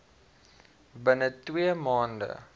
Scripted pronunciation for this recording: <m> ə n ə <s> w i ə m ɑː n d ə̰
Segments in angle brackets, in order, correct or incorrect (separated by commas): incorrect, incorrect